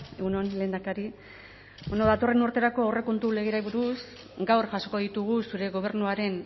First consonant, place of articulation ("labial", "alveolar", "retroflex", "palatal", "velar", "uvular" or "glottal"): velar